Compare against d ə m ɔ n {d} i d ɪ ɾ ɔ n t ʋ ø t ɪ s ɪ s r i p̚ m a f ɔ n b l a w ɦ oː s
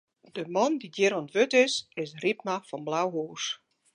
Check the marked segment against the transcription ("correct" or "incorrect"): correct